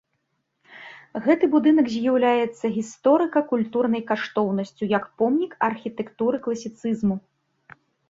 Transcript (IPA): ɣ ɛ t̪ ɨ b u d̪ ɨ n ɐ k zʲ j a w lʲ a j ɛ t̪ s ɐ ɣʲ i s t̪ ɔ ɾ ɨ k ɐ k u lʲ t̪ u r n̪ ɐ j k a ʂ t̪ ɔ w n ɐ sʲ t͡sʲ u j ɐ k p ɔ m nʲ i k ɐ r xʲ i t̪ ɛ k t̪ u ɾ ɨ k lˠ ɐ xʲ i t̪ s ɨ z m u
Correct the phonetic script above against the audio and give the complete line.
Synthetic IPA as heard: ɣ ɛ t̪ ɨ b u d̪ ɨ n ɐ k zʲ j a w lʲ a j ɛ t̪ sː ɐ ɣʲ i s t̪ ɔ ɾ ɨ k ɐ k u lʲ t̪ u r n̪ ɐ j k a ʂ t̪ ɔ w n ɐ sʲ t͡sʲ u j ɐ k p ɔ m nʲ i k ɐ r xʲ i t̪ ɛ k t̪ u ɾ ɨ k lˠ ɐ sʲ i t̪ s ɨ z m u

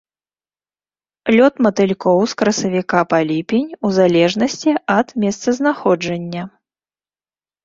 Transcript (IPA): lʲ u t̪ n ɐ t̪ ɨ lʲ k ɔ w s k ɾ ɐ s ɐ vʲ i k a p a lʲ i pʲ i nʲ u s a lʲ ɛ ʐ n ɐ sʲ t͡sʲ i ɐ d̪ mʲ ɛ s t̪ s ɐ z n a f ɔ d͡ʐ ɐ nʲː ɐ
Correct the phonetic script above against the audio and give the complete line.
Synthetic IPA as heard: lʲ ɔ t̪ m ɐ t̪ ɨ lʲ k ɔ w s k ɾ ɐ s ɐ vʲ i k a p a lʲ i pʲ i nʲ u z a lʲ ɛ ʐ n ɐ sʲ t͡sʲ i ɐ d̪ mʲ ɛ s t̪ s ɐ z n a x ɔ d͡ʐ ɐ nʲː ɐ

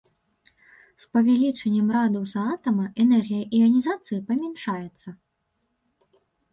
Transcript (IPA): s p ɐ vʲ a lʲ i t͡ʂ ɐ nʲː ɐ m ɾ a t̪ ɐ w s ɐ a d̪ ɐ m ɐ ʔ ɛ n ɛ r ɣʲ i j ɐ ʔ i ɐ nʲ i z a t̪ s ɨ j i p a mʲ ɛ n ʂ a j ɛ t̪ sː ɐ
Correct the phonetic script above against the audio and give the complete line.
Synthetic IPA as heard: s p ɐ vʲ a lʲ i t͡ʂ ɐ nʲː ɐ m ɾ a d̪ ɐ w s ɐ a t̪ ɐ m ɐ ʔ ɛ n ɛ r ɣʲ i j ɐ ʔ i ɐ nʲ i z a t̪ s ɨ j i p ɐ mʲ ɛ n ʂ a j ɛ t̪ sː ɐ

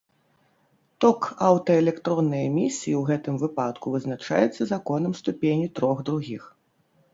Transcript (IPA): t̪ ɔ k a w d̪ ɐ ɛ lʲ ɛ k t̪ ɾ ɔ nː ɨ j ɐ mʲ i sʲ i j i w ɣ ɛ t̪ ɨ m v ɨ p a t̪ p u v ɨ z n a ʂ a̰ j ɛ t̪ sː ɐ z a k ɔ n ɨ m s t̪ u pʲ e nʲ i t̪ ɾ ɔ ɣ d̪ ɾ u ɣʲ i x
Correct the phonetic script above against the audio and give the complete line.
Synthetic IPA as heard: t̪ ɔ k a w t̪ ɐ ɛ lʲ ɛ k t̪ ɾ ɔ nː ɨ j ɐ mʲ i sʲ i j i w ɣ ɛ t̪ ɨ m v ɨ p a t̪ k u v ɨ z n a t͡ʂ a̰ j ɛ t̪ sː ɐ z a k ɔ n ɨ m s t̪ u pʲ e nʲ i t̪ ɾ ɔ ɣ d̪ ɾ u ɣʲ i x

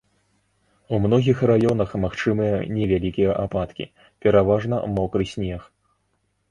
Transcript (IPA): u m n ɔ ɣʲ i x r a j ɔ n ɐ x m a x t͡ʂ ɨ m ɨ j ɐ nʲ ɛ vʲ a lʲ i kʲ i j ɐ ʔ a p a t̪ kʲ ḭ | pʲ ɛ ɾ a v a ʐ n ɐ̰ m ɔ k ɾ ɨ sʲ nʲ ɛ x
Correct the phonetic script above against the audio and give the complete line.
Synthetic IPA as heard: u m n ɔ ɣʲ i x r a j ɔ n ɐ x m a x t͡ʂ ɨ m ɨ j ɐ nʲ ɛ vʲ a lʲ i kʲ i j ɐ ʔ a p a t̪ kʲ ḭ | pʲ ɛ ɾ a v a ʐ n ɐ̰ m ɔ k ɾ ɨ sʲ nʲ ɛ x

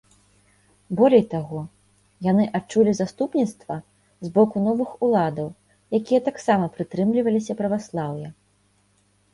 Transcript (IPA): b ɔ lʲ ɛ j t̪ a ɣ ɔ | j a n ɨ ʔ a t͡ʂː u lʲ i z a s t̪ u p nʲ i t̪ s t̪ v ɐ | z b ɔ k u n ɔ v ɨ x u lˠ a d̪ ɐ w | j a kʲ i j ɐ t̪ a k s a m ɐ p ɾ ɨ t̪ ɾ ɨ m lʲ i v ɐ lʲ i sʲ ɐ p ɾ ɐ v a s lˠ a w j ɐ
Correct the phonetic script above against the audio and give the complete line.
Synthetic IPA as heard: b ɔ lʲ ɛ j t̪ a ɣ ɔ | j a n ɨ ʔ a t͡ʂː u lʲ i z a s t̪ u p nʲ i t̪ s t̪ v ɐ | z b ɔ k u n ɔ v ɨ x u lˠ a d̪ ɐ w | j a kʲ i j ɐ t̪ a k s a m ɐ p ɾ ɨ t̪ ɾ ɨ m lʲ i v ɐ lʲ i sʲ ɐ p ɾ ɐ v a s lˠ a w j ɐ

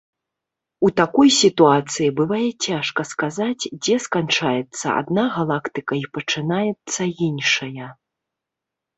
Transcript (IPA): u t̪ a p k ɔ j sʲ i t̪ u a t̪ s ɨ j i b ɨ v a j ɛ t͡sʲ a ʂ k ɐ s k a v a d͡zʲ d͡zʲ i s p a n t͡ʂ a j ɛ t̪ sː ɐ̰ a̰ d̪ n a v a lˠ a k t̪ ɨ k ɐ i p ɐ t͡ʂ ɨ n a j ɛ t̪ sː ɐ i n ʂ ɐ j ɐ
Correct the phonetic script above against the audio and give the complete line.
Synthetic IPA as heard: u t̪ a k ɔ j sʲ i t̪ u a t̪ s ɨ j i b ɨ v a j ɛ t͡sʲ a ʂ k ɐ s k a z a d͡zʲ d͡zʲ ɛ s k a n t͡ʂ a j ɛ t̪ sː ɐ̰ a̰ d̪ n a ɣ a lˠ a k t̪ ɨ k ɐ i p ɐ t͡ʂ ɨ n a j ɛ t̪ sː ɐ i n ʂ ɐ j ɐ

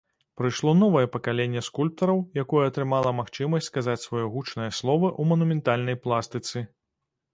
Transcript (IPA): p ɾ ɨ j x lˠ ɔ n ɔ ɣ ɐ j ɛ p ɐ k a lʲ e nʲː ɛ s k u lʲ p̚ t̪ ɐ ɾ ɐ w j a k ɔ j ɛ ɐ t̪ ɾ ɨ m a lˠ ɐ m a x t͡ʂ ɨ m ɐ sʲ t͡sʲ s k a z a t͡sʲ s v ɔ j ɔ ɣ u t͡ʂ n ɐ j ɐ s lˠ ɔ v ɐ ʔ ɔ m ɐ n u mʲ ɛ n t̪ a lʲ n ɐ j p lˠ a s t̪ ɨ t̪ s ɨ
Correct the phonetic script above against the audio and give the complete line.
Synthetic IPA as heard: p ɾ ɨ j ʂ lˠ ɔ n ɔ v ɐ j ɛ p ɐ k a lʲ e nʲː ɛ s k u lʲ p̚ t̪ ɐ ɾ ɐ w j a k ɔ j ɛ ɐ t̪ ɾ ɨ m a lˠ ɐ m a x t͡ʂ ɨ m ɐ sʲ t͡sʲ s k a z a t͡sʲ s v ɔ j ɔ ɣ u t͡ʂ n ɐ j ɐ s lˠ ɔ v ɐ ʔ u m ɐ n u mʲ ɛ n t̪ a lʲ n ɐ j p lˠ a s t̪ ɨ t̪ s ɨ

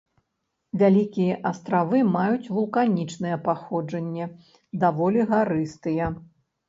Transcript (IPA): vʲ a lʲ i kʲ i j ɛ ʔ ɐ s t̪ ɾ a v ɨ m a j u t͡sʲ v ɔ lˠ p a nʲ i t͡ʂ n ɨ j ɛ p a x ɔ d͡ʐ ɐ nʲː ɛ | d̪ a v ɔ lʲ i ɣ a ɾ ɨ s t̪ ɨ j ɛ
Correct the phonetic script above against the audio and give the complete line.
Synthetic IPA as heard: vʲ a lʲ i kʲ i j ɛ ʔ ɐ s t̪ ɾ a v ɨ m a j u t͡sʲ v u lˠ k a nʲ i t͡ʂ n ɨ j ɛ p a x ɔ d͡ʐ ɐ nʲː ɛ | d̪ a v ɔ lʲ i ɣ a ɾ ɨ s t̪ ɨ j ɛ

